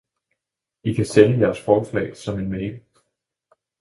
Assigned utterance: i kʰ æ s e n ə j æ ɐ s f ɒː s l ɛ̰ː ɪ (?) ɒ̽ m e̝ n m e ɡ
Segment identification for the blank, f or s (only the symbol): s